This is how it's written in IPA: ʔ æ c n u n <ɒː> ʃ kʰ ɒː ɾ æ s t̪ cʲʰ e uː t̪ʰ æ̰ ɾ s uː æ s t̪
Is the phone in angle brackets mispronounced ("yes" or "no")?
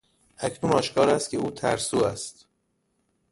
no